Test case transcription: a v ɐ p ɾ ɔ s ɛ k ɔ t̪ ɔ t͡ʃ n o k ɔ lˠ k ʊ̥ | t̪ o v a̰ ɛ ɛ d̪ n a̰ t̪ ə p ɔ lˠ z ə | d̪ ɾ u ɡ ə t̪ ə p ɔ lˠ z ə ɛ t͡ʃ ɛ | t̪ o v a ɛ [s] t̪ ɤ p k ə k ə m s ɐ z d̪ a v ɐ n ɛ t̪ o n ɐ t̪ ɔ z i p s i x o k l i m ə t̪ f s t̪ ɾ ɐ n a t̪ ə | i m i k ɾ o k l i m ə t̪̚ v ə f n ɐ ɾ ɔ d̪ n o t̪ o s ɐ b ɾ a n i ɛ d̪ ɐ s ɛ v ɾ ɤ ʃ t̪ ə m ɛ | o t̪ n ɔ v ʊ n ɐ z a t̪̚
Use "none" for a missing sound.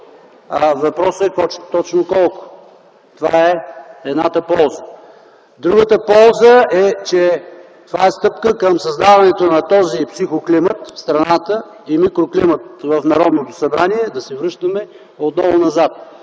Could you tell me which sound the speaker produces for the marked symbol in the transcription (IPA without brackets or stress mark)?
s